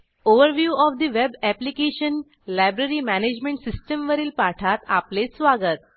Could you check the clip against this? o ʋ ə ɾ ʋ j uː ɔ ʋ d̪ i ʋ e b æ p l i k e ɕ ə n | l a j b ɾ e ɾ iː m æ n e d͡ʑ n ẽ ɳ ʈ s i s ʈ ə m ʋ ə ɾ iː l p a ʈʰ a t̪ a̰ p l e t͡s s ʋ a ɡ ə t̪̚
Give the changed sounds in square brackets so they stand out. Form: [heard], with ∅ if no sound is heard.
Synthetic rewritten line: o ʋ ə ɾ ʋ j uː ɔ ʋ d̪ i ʋ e b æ p l i k e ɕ ə n | l a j b ɾ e ɾ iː m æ n e d͡ʑ [m] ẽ ɳ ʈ s i s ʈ ə m ʋ ə ɾ iː l p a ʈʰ a t̪ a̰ p l e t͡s s ʋ a ɡ ə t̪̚